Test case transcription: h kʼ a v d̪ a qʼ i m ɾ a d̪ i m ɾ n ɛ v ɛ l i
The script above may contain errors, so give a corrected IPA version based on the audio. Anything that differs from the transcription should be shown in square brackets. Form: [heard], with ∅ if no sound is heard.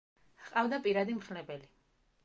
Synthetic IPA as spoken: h [qʼ] a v d̪ a [pʼ] i [∅] ɾ a d̪ i m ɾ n ɛ [b] ɛ l i